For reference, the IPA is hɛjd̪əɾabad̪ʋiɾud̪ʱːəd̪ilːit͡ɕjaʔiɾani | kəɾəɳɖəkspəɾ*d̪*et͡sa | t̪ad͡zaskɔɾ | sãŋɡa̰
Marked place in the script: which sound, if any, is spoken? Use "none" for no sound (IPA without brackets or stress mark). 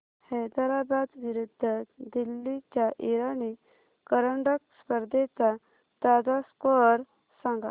d̪